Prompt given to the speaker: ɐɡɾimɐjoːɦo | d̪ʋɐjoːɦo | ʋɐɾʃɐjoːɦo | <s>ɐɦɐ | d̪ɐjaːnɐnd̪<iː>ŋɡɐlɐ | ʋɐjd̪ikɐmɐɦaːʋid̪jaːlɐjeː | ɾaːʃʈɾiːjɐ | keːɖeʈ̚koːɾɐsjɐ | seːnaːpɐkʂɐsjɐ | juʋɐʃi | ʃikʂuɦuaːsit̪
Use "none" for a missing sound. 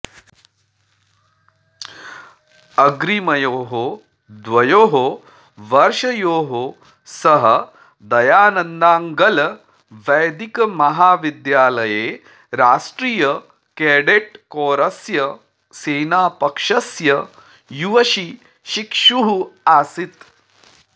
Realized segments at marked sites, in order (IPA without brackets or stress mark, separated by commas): s, aː